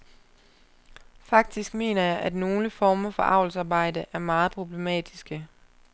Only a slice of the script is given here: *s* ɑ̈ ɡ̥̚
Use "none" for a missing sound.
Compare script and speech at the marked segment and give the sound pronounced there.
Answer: f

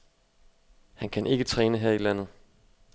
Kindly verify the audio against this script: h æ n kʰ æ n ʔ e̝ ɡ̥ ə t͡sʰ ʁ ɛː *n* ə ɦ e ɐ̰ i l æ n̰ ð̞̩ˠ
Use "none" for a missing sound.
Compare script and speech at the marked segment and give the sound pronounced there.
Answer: n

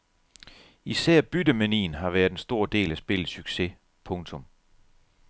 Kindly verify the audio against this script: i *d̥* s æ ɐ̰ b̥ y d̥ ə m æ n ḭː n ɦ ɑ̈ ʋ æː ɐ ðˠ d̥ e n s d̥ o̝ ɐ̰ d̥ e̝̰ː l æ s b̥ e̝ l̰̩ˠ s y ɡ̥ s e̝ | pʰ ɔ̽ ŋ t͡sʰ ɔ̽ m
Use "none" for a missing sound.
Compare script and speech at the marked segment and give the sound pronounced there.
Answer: none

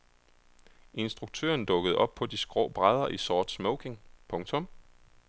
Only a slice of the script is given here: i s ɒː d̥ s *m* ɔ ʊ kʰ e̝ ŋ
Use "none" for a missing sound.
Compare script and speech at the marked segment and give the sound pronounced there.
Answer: m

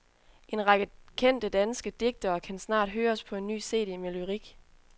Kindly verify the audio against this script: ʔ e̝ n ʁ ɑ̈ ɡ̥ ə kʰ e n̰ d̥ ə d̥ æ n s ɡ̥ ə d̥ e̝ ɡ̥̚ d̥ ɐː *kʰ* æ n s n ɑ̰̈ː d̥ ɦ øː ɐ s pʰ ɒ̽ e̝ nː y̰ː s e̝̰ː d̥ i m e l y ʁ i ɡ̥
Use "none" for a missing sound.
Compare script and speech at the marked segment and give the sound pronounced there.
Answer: kʰ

